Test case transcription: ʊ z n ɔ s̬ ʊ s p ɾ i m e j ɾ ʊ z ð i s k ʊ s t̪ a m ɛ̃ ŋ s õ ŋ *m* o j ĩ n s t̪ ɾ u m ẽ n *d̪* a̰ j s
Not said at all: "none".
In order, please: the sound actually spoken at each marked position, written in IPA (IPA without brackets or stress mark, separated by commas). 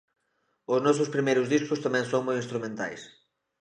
m, t̪